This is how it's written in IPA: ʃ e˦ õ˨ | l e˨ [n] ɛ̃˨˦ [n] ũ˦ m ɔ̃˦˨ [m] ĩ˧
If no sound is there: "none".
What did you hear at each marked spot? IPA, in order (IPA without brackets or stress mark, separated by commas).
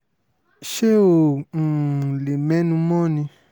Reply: m, n, n